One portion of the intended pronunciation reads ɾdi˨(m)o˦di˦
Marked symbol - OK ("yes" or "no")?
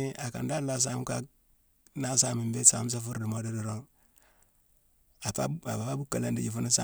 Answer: yes